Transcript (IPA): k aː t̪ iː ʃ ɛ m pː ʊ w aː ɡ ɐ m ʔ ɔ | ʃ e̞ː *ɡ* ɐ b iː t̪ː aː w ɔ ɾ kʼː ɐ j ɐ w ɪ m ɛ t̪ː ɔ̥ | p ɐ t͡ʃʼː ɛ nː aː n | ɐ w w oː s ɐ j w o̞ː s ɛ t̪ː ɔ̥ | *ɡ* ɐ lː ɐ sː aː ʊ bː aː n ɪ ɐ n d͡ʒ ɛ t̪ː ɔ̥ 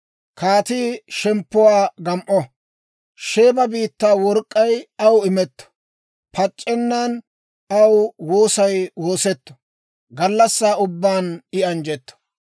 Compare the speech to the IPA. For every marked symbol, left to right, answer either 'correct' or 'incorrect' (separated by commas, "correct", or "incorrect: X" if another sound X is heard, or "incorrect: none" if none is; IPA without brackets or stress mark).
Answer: incorrect: b, correct